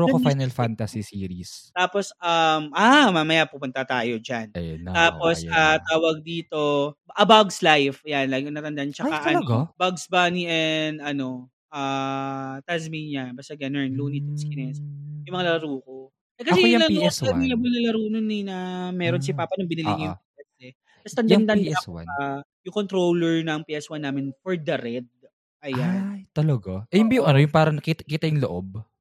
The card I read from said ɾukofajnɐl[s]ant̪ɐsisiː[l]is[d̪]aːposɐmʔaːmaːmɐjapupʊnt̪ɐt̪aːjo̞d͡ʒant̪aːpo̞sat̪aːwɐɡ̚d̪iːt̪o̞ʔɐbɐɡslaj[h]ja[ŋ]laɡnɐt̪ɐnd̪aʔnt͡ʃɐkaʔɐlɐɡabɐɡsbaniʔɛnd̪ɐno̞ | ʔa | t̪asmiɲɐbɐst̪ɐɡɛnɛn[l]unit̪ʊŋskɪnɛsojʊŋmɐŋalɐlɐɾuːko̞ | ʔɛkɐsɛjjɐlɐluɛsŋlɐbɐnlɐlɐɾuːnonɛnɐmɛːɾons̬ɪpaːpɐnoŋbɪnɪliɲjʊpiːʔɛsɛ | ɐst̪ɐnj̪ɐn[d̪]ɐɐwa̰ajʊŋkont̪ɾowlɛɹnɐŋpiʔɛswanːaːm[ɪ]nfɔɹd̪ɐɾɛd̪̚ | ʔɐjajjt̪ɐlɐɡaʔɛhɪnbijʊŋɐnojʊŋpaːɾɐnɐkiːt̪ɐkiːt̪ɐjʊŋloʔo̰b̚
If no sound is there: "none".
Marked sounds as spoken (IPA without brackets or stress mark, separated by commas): f, ɾ, t̪, f, n, l, d̪, ɪ